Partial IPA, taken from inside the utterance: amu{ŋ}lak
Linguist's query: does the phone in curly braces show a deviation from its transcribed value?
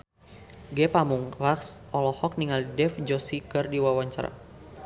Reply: no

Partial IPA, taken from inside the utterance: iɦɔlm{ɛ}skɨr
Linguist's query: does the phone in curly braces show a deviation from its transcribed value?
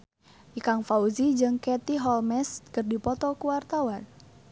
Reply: no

